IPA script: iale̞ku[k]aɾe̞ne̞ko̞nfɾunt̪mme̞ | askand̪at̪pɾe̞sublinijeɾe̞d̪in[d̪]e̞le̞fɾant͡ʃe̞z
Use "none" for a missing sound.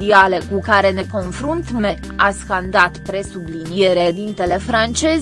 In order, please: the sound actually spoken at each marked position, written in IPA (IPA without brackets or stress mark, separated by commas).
k, t̪